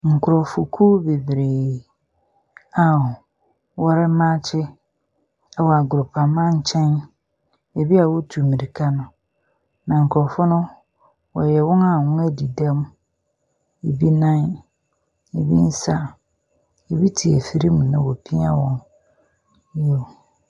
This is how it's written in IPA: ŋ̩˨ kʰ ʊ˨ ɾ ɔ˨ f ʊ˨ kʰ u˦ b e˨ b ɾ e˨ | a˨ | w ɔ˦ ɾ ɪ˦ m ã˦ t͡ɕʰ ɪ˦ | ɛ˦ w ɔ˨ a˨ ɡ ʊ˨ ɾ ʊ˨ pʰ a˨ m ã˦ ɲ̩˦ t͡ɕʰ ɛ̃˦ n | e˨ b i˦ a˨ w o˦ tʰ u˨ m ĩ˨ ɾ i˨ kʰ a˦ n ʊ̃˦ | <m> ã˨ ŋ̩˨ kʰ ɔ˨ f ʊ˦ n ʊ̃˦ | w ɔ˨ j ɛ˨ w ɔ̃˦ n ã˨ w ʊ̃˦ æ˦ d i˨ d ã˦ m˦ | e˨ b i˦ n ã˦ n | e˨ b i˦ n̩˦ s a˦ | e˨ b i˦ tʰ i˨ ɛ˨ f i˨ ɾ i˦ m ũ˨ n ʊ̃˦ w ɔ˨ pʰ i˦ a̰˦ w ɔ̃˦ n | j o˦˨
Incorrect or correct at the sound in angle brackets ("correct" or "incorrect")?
incorrect